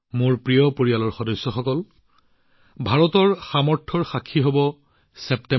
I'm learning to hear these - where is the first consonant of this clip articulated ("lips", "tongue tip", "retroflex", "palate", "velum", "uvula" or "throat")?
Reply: lips